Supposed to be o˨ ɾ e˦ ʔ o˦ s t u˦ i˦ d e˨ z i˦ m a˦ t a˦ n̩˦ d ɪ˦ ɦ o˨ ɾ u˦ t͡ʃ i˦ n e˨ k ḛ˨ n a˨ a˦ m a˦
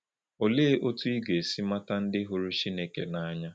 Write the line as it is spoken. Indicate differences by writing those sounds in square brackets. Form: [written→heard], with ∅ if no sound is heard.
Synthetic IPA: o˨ [ɾ→l] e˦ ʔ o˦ [s→∅] t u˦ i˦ [d→ɡ] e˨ [z→s] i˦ m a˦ t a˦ n̩˦ d ɪ˦ ɦ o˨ ɾ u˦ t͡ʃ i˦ n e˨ k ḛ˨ n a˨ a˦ [m→ɲ] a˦